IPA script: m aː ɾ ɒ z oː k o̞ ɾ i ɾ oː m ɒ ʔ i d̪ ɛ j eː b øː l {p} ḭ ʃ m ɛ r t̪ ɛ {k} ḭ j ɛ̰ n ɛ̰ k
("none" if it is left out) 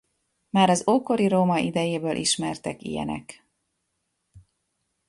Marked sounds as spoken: ʔ, k

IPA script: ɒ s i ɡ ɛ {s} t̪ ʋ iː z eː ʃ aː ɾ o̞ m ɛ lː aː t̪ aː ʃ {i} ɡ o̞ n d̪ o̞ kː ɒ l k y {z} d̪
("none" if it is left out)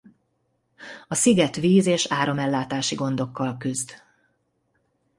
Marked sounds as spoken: none, i, z

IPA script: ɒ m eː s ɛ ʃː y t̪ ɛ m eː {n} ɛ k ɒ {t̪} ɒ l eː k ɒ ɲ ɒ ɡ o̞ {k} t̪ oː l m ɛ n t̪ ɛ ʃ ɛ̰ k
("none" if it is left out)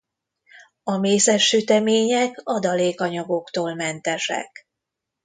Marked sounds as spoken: ɲ, d̪, k

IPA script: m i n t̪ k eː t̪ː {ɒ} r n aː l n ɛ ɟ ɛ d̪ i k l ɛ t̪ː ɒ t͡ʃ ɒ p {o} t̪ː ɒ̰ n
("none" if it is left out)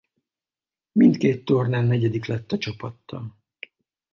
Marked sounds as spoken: o, ɒ

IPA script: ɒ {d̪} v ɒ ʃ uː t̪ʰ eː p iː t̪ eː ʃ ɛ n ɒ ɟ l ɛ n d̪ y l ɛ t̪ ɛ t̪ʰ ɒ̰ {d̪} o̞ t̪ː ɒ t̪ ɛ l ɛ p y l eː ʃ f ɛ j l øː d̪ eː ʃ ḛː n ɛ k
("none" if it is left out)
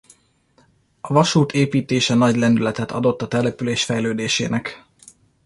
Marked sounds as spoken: none, d̪

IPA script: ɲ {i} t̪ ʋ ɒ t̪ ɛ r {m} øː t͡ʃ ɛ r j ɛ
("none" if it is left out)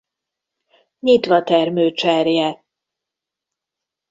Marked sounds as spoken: i, m

